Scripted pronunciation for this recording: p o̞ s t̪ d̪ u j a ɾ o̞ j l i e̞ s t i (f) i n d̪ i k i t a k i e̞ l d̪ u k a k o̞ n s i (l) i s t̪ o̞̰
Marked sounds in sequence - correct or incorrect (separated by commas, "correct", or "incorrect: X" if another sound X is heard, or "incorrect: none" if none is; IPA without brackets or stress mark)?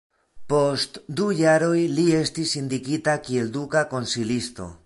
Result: incorrect: s, correct